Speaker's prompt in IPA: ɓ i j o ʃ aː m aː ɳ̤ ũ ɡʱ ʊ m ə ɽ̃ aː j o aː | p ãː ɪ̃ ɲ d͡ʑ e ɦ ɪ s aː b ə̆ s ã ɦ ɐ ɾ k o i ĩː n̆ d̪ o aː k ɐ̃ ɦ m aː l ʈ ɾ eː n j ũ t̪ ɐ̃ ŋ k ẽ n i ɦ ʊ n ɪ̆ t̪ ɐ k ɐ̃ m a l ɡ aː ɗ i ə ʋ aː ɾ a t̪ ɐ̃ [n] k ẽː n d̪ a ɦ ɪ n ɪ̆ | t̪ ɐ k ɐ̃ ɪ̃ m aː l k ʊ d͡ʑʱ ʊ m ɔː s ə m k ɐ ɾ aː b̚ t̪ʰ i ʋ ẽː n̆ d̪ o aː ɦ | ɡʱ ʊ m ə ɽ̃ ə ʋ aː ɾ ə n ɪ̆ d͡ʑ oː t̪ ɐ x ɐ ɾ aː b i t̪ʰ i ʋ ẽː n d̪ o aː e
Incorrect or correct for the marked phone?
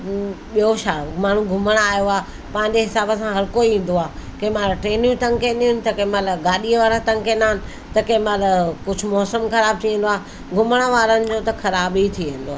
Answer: incorrect: ŋ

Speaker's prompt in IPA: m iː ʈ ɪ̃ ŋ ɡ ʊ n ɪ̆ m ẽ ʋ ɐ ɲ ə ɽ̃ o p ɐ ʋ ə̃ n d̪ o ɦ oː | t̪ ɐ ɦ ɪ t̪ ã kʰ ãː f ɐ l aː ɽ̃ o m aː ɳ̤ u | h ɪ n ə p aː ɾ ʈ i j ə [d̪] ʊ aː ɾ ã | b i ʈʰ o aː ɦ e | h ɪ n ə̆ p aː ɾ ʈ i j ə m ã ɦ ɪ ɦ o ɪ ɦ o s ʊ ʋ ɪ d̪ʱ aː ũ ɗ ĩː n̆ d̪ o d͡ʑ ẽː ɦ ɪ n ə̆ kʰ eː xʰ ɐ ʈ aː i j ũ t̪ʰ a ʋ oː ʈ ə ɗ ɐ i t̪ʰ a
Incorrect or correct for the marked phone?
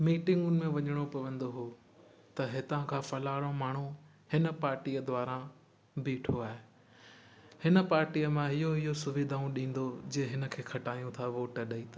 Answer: correct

